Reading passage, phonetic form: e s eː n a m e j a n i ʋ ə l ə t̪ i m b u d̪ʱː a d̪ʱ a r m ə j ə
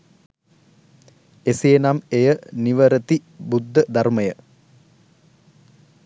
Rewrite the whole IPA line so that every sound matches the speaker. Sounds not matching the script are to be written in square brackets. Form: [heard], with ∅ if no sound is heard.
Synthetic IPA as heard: e s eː n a m e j [ə] n i ʋ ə [ɾ] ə t̪ i [∅] b u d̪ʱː [ə] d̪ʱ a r m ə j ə